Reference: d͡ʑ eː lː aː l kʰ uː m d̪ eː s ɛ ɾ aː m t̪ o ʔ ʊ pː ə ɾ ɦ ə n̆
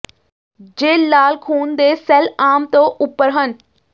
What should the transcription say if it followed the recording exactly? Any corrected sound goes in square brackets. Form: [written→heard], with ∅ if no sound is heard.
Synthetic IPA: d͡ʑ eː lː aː l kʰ uː [m→n] d̪ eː s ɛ [ɾ→l] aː m t̪ o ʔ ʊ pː ə ɾ ɦ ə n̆